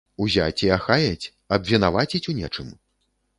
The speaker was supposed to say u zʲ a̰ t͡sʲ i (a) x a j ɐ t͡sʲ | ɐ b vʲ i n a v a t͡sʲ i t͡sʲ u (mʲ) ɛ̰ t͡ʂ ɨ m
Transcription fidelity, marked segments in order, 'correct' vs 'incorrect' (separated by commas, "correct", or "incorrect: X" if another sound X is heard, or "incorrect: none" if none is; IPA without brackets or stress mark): correct, incorrect: nʲ